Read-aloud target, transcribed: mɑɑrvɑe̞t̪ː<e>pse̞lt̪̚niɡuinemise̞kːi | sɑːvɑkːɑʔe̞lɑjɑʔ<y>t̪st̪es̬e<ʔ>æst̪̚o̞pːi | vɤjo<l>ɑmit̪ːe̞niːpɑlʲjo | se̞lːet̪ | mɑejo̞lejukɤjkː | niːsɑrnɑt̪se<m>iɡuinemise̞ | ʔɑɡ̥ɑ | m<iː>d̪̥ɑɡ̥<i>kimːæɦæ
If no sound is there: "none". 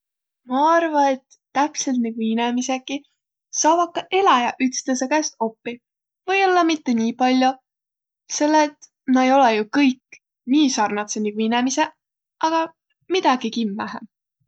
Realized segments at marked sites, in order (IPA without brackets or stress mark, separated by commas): æ, y, k, lː, n, i, i